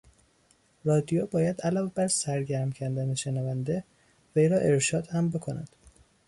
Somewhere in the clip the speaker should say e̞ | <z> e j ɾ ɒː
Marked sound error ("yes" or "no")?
yes